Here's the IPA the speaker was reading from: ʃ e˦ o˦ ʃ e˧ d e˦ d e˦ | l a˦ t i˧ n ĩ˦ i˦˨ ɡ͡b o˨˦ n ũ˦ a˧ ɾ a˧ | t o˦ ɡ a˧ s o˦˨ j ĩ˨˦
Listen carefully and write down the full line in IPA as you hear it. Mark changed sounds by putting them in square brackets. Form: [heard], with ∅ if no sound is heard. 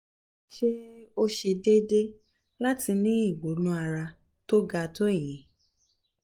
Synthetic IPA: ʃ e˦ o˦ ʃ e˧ d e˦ d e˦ | l a˦ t i˧ n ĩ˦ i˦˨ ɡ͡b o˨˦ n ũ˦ a˧ ɾ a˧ | t o˦ ɡ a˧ [t] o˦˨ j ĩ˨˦